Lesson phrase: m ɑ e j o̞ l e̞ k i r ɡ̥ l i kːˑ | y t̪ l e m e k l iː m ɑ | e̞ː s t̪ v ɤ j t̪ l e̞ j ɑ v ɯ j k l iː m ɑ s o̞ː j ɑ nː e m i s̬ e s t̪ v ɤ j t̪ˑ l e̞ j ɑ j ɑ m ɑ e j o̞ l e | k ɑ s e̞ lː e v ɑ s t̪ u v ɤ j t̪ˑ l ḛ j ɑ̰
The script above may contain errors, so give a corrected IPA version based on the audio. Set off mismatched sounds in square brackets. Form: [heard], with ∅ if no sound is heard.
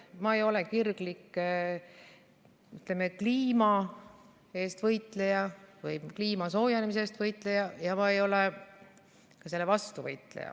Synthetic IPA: m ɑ e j o̞ l e̞ k i r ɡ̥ l i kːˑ | y t̪ l e m e k l iː m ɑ | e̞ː s t̪ v ɤ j t̪ l e̞ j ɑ v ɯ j k l iː m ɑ s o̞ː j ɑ [n] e m i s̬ e s t̪ v ɤ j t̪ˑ l e̞ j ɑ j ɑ m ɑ e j o̞ l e | k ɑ s e̞ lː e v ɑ s t̪ u v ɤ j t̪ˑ l ḛ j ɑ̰